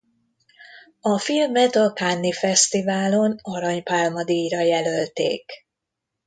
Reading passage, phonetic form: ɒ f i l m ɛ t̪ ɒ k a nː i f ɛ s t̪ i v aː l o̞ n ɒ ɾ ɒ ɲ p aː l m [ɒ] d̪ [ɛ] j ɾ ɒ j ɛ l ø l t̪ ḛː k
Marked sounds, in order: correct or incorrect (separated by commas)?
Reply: correct, incorrect